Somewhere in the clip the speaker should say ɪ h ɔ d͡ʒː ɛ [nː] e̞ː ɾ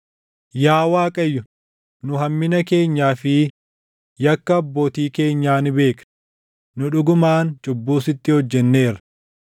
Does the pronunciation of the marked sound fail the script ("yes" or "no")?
no